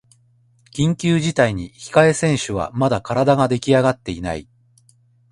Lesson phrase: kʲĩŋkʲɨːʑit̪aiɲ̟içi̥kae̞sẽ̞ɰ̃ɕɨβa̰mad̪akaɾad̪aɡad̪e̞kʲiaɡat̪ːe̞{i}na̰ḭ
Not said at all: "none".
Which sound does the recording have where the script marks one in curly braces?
i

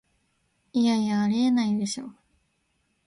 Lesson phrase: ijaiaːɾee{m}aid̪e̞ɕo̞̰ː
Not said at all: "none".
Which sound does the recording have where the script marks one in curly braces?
n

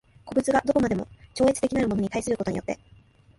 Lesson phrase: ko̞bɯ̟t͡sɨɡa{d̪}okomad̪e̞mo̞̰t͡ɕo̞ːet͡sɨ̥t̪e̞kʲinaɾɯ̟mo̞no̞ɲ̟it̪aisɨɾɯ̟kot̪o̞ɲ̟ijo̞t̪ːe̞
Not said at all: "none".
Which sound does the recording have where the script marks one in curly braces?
d̪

